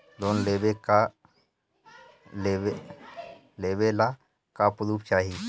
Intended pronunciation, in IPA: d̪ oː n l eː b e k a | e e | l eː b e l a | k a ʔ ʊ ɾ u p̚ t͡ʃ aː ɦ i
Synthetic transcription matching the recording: d̪ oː n l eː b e k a | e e | l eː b e l a | k a p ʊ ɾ u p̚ t͡ʃ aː ɦ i

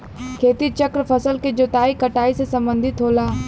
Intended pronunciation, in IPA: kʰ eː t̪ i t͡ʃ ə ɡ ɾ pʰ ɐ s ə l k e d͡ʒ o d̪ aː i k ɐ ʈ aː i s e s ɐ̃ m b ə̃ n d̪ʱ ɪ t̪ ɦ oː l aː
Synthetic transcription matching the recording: kʰ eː t̪ i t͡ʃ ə k ɾ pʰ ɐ s ə l k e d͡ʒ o t̪ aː i k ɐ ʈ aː i s e s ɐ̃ m b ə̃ n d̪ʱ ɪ t̪ ɦ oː l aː

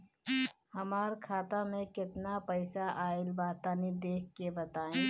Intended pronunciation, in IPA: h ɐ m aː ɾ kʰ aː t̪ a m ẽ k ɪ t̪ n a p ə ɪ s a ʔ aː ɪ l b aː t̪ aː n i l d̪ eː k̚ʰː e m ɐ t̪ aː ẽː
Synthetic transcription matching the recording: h ɐ m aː ɾ kʰ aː t̪ a m ẽ k ɪ t̪ n a p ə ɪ s a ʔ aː ɪ l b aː t̪ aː n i d̪ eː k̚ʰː e b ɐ t̪ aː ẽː

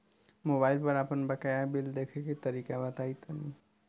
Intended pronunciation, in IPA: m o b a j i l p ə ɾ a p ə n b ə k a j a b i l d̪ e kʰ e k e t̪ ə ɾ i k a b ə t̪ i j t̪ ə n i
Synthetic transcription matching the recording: m o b a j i l p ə ɾ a p ə n b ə k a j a b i l d̪ e kʰ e k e t̪ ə ɾ i k a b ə t̪ a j t̪ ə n i

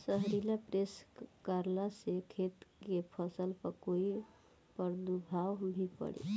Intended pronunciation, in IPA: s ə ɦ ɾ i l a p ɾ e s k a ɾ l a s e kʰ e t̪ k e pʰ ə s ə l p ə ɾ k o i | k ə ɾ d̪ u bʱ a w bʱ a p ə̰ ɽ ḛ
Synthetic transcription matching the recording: s ə ɦ ɾ i l a p ɾ e s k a ɾ l a s e kʰ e t̪ k e pʰ ə s ə l p ə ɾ k o i | p ə ɾ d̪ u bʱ a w bʱ i p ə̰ ɽ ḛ

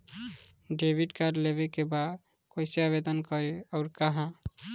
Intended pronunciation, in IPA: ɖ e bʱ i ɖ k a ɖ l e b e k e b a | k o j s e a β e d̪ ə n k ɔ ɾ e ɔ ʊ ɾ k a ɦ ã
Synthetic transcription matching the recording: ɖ e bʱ i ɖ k a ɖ l e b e k e b a | k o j s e a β e d̪ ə n k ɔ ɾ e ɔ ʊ ɾ k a ɦ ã

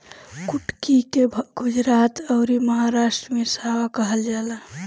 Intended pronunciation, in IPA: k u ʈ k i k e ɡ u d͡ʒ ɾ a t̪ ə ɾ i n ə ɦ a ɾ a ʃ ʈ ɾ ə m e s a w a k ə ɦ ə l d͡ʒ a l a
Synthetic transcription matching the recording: k u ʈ k i k e ɡ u d͡ʒ ɾ a t̪ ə ɾ i m ə ɦ a ɾ a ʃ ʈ ɾ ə m e s a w a k ə ɦ ə l d͡ʒ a l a

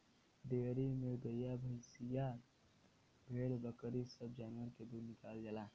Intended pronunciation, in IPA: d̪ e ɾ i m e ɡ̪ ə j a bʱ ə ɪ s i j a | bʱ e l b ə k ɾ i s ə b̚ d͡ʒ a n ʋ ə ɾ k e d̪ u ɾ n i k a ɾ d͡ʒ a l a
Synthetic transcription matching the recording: d̪ e ɾ i m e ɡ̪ ə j a bʱ ə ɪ s i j a | bʱ e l b ə k ɾ i s ə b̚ d͡ʒ a n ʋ ə ɾ k e d̪ u ɾ n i k a l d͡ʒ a l a

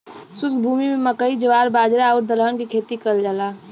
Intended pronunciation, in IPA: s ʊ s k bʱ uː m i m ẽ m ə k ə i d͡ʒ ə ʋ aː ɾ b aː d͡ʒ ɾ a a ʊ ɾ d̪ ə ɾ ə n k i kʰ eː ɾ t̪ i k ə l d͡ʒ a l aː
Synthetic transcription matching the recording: s ʊ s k bʱ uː m i m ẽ m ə k ə i d͡ʒ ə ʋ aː ɾ b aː d͡ʒ ɾ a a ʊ ɾ d̪ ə l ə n k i kʰ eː t̪ i k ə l d͡ʒ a l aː

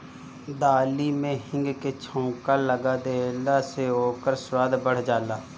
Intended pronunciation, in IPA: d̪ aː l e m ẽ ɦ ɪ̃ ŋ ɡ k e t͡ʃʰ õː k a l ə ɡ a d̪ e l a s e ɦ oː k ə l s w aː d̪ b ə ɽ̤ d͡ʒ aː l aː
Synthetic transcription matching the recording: d̪ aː l i m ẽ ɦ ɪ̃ ŋ ɡ k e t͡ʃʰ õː k a l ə ɡ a d̪ e l a s e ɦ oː k ə ɾ s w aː d̪ b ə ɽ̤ d͡ʒ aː l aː

